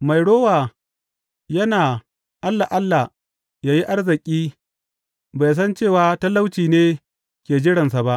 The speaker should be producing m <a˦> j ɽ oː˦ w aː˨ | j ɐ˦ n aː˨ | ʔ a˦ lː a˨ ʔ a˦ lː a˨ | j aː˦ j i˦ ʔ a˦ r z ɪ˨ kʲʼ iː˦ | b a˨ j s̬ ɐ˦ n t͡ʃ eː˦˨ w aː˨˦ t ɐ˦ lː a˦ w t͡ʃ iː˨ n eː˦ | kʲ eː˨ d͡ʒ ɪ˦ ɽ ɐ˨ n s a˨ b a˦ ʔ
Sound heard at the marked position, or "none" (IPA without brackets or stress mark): a˨